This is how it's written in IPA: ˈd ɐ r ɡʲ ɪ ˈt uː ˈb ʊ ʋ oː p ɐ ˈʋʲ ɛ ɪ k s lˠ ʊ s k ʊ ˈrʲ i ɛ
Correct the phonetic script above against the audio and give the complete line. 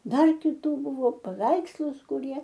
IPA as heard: ˈd ɐ r kʲ ɪ ˈt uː ˈb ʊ ʋ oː p ɐ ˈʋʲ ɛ ɪ k s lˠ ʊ s k ʊ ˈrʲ i ɛ